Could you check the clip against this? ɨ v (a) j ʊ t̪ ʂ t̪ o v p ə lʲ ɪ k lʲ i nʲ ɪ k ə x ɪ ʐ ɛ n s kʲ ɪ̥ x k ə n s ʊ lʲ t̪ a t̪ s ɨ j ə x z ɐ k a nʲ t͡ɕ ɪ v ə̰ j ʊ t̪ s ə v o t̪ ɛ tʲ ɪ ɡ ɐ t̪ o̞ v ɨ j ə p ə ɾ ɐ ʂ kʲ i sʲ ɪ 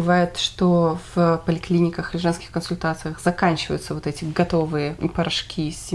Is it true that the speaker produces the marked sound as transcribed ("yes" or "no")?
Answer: yes